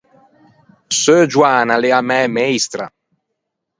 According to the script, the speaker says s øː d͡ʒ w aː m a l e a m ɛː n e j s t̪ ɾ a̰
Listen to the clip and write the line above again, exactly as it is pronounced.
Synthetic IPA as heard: s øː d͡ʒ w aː n a l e a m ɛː m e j s t̪ ɾ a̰